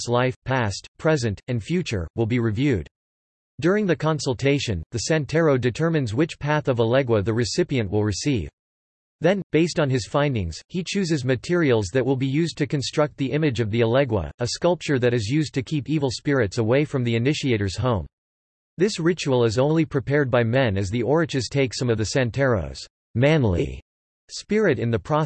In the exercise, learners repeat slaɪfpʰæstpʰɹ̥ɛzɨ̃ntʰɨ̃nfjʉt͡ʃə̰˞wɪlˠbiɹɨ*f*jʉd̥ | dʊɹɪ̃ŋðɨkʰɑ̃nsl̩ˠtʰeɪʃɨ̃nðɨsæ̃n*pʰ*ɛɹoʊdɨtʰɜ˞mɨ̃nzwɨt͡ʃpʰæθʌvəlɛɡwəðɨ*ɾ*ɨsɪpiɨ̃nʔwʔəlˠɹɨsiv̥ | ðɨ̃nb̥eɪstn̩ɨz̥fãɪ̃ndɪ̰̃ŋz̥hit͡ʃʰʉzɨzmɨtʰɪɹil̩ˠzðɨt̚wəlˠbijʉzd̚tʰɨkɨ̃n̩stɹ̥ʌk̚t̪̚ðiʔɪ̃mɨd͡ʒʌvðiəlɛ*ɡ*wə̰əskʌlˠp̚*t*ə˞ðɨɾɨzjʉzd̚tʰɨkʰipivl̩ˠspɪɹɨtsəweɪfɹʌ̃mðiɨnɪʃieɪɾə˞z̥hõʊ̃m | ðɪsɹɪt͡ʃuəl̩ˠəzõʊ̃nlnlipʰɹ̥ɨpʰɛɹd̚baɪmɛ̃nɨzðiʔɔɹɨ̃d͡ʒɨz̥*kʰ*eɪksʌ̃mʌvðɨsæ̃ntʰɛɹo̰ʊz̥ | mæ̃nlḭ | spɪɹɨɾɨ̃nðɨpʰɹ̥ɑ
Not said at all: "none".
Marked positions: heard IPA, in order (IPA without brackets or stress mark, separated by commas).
v, tʰ, ɹ, ɡ, t͡ʃ, tʰ